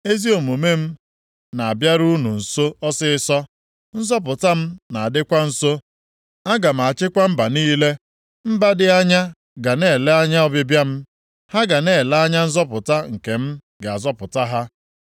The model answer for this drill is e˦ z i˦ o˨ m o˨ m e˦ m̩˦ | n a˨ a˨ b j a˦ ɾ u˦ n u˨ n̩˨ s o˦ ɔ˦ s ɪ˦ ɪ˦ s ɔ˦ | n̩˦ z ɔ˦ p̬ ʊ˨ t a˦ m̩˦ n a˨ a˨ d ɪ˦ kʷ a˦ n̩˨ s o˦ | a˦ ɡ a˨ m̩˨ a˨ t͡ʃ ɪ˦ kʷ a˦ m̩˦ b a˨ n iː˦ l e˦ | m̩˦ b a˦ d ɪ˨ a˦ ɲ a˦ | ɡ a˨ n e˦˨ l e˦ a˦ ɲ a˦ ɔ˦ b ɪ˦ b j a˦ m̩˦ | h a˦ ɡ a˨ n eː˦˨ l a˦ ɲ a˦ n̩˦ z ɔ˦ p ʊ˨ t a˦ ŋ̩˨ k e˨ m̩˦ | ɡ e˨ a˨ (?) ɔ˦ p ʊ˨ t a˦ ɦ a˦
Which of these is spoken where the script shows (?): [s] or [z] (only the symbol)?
z